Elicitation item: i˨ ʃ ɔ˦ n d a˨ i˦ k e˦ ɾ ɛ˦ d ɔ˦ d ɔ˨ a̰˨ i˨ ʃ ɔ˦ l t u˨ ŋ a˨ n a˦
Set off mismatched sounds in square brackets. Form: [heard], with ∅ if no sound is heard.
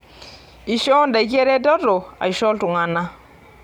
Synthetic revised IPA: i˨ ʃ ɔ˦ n d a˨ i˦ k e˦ ɾ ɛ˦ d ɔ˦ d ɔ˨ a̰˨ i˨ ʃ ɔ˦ l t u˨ ŋ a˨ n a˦

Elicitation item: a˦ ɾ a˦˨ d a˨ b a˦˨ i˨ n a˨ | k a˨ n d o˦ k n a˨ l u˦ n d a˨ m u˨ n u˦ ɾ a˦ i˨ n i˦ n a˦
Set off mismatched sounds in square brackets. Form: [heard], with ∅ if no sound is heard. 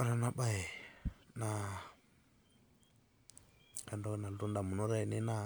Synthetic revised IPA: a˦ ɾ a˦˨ [n] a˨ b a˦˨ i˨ n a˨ | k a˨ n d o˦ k n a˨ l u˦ n d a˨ m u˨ n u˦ ɾ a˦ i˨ n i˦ n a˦

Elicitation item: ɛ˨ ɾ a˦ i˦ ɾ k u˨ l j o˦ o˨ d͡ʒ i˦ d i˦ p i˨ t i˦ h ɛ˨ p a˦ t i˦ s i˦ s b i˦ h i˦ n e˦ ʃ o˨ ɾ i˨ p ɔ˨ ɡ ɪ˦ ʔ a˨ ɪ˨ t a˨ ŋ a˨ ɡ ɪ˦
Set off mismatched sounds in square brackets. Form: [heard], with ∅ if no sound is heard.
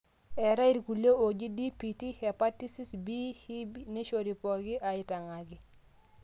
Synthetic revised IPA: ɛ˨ ɾ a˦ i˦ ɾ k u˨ l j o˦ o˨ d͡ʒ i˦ d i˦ p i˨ t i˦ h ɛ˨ p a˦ t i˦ s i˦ s b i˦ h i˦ n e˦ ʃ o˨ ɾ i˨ p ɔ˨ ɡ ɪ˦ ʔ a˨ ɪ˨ t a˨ ŋ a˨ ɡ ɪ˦

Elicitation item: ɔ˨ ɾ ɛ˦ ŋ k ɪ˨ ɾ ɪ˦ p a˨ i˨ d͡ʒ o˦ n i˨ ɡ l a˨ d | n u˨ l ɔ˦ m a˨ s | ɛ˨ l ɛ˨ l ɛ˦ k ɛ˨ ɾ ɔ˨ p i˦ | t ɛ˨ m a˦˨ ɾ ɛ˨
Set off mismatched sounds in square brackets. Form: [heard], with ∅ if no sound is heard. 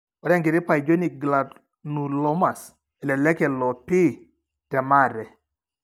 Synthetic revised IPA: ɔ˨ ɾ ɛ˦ ŋ [ɡ] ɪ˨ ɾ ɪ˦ p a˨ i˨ d͡ʒ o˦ n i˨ ɡ l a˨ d | n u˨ l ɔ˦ m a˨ s | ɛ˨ l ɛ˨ l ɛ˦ k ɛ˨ [l] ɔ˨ p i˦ | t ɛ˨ m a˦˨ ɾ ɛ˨

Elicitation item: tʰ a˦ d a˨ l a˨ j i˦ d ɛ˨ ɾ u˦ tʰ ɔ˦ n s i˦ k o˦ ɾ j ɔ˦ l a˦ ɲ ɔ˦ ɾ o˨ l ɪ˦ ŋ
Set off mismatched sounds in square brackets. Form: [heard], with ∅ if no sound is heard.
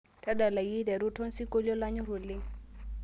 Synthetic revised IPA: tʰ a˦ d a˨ l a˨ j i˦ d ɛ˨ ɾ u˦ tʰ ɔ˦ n s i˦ k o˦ [l] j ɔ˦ l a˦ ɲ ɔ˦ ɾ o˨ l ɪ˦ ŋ

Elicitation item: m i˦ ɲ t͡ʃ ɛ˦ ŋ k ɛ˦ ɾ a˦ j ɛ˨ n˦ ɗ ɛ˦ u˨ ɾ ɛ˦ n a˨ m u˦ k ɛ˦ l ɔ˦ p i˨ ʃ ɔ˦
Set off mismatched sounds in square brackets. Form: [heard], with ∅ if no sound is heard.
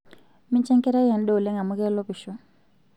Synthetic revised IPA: m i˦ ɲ t͡ʃ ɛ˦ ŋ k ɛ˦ ɾ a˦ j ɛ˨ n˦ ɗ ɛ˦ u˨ [l] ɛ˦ [ŋ] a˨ m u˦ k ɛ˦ l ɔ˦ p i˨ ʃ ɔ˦

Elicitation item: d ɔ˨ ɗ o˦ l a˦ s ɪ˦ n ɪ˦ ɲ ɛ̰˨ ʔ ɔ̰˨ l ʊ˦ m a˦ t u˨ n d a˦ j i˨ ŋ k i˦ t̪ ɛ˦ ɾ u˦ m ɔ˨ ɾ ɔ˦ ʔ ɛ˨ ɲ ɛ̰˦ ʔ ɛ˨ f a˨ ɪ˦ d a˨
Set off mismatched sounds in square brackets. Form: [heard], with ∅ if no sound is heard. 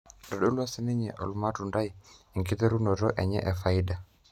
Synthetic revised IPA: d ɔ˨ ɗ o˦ l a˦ s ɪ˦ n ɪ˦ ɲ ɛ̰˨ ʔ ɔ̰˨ l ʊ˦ m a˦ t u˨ n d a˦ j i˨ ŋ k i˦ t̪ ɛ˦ ɾ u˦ [n] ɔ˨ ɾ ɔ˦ ʔ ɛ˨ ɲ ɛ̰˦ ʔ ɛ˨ f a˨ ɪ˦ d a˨

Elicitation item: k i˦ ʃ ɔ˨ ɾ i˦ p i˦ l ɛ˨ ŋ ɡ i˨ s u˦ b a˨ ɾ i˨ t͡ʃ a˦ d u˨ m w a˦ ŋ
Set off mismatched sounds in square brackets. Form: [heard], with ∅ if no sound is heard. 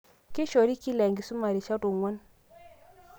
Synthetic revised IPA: k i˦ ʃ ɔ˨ ɾ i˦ [k] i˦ l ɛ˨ ŋ ɡ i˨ s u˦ [m] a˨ ɾ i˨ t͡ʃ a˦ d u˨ [ŋ] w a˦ [n]

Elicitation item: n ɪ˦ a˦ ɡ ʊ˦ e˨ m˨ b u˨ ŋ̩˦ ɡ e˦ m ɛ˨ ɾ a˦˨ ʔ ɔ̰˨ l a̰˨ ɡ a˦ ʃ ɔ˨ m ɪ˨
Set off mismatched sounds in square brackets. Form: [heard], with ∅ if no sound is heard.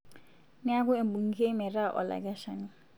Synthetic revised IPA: n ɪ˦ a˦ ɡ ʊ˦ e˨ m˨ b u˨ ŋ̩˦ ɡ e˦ m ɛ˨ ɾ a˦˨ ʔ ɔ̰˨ l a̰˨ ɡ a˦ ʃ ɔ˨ [n] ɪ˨

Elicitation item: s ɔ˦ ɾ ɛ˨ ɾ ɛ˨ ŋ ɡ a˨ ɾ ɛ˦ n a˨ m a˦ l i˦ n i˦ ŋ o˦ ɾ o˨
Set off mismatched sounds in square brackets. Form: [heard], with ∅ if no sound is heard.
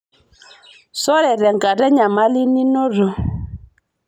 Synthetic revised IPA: s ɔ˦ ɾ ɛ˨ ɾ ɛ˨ ŋ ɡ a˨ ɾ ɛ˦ [ɲ] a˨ m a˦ l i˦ n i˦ [n] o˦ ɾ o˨

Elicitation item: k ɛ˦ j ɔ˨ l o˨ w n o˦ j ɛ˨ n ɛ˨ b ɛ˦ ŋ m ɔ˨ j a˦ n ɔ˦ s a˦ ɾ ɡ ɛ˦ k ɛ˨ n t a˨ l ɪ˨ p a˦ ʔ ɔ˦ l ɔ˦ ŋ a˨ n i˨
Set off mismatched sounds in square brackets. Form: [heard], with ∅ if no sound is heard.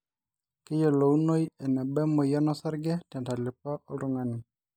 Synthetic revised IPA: k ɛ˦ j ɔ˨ l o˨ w n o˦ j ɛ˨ n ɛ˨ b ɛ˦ [∅] m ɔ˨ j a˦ n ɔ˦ s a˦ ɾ ɡ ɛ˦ [t] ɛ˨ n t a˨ l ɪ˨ p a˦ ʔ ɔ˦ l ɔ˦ ŋ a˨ n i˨

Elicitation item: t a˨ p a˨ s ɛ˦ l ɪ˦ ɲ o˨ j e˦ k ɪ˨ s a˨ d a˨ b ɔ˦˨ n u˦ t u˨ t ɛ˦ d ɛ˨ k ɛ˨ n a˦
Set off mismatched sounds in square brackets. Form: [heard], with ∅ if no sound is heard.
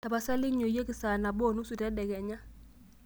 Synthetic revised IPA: t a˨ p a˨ s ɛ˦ l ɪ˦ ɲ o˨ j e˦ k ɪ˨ s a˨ [n] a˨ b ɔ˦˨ n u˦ [s] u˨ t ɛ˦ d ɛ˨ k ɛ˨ [ɲ] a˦

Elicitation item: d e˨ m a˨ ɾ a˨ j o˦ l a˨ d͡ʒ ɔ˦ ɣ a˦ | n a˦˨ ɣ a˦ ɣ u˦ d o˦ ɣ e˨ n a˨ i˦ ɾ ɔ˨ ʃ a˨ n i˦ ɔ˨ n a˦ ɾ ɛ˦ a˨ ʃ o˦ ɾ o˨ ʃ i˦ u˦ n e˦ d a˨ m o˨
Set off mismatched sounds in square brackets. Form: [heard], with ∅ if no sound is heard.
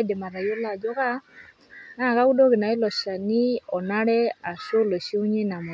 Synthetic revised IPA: d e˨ m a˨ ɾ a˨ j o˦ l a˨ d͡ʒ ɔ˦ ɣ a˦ | n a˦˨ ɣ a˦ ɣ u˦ d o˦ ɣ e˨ n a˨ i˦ [l] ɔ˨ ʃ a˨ n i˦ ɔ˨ n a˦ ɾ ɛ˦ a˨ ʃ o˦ [l] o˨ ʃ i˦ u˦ [ɲ] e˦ [n] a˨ m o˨

